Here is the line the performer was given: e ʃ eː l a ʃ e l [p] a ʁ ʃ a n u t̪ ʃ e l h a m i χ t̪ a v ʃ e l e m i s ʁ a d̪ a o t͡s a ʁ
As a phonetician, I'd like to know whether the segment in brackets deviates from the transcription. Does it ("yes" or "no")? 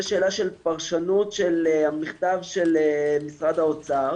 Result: no